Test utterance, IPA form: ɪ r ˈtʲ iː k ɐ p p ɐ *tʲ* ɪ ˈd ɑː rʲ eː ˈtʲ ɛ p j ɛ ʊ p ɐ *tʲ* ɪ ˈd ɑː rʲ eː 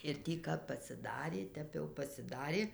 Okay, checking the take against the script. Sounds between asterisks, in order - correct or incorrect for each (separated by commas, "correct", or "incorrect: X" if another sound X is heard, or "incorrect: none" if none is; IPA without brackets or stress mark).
incorrect: sʲ, incorrect: sʲ